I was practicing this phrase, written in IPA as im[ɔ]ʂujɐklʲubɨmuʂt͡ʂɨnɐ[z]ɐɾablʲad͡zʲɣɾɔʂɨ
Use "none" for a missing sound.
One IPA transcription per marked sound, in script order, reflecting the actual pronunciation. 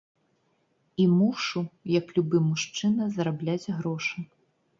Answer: u, z

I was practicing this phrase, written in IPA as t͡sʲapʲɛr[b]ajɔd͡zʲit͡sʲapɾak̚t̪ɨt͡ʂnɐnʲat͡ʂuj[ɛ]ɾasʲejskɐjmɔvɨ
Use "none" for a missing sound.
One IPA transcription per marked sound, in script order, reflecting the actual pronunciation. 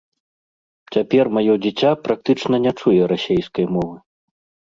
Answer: m, ɛ

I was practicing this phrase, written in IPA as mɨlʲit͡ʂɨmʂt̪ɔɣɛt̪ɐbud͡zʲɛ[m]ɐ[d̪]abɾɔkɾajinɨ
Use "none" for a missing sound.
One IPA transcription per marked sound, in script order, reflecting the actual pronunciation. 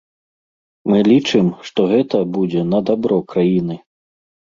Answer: n, d̪

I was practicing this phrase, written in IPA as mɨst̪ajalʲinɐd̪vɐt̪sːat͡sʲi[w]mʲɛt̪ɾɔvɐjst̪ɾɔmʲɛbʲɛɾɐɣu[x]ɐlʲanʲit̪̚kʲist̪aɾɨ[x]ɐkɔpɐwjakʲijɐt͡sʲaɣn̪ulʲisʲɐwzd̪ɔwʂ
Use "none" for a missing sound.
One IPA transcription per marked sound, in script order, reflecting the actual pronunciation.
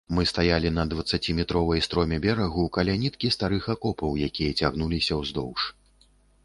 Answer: none, k, x

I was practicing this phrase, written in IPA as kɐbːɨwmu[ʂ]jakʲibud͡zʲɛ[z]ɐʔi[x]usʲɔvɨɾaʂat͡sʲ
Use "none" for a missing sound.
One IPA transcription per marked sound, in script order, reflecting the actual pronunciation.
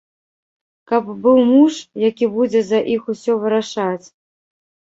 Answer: ʂ, z, x

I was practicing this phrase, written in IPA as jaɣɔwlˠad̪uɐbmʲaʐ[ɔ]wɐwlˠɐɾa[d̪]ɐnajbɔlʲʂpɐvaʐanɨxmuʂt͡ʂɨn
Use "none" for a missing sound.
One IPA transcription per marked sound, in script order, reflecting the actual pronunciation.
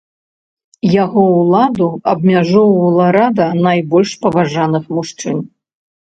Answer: ɔ, d̪

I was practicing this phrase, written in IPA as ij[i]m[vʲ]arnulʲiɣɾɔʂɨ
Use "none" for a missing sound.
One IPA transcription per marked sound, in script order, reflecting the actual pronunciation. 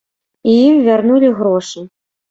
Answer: i, vʲ

